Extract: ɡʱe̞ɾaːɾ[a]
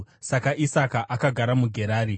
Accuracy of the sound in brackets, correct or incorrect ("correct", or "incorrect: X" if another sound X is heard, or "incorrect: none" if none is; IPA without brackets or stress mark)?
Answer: incorrect: i